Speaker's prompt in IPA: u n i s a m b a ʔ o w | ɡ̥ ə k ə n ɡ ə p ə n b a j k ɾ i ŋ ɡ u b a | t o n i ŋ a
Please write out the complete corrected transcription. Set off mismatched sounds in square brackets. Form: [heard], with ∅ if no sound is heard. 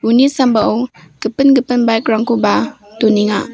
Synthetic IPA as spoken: u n i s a m b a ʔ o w | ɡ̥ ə [p] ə n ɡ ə p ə n b a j k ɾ [a] ŋ [k] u b a | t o n i ŋ a

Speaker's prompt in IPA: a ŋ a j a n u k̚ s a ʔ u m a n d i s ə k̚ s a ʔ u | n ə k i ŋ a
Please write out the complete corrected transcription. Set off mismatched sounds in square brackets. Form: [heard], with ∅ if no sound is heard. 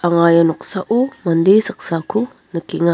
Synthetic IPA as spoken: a ŋ a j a n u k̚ s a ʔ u m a n d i s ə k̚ s a [k] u | n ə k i ŋ a

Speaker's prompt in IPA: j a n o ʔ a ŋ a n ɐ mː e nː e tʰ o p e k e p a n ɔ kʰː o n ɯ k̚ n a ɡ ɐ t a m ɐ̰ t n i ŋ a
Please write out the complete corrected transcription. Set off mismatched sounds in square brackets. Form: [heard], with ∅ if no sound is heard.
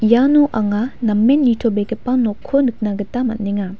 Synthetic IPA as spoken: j a n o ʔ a ŋ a n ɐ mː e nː [i] tʰ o [b] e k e p a n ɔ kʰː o n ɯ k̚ n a ɡ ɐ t a m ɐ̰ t n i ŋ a

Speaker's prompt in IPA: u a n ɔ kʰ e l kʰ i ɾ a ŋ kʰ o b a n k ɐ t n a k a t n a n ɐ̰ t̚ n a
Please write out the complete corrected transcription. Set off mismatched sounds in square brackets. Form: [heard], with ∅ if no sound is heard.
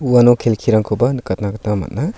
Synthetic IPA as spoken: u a n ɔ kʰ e l kʰ i ɾ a ŋ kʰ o b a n k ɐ t n a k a t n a [m] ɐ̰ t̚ n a

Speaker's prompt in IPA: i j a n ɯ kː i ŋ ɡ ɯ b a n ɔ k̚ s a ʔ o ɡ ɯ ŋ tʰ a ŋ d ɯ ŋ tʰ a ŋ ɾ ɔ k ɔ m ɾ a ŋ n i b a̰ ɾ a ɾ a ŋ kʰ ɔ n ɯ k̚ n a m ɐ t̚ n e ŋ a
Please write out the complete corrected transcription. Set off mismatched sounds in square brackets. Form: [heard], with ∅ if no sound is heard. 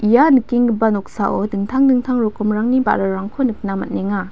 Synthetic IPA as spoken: i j a n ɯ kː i ŋ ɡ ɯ b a n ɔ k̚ s a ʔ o [d] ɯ ŋ tʰ a ŋ d ɯ ŋ tʰ a ŋ ɾ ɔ k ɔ m ɾ a ŋ n i b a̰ ɾ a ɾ a ŋ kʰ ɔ n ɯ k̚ n a m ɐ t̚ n e ŋ a

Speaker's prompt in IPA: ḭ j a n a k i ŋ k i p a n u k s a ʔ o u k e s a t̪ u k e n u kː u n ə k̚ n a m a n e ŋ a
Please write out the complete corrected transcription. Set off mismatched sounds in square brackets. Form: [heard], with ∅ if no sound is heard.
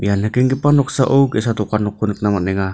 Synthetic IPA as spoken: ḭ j a n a k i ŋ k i p a n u k s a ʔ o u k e s a t̪ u k [a] n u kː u n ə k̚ n a m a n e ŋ a

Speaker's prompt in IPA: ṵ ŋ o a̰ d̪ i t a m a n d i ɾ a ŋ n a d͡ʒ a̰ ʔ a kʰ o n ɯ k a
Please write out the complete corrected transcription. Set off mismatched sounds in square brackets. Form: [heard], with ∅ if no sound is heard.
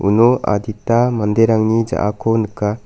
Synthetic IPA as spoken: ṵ [n] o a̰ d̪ i t a m a n d [e] ɾ a ŋ n [i] d͡ʒ a̰ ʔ a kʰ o n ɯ k a

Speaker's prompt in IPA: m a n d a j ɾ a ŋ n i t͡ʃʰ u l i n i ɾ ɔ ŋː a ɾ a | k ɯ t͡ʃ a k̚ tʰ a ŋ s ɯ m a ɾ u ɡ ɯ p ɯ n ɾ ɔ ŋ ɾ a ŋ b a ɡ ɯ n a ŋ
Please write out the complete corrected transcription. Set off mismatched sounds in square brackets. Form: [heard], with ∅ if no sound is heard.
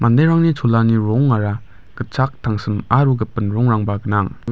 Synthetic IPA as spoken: m a n d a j ɾ a ŋ n i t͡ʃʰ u l [a] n i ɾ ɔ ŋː a ɾ a | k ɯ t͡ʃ a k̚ tʰ a ŋ s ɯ m a ɾ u ɡ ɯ p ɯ n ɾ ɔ ŋ ɾ a ŋ b a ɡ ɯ n a ŋ

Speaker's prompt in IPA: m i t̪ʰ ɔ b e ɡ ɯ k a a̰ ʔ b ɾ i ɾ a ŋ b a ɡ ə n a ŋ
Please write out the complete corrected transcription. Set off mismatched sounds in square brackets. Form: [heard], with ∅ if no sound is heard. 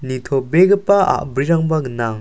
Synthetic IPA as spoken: [n] i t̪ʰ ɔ b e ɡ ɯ [p] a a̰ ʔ b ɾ i ɾ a ŋ b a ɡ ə n a ŋ

